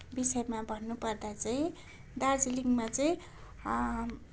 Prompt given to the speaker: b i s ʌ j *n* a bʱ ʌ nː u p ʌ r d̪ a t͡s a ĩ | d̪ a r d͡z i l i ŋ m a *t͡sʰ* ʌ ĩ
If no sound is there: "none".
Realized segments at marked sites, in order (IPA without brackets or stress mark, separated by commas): m, t͡s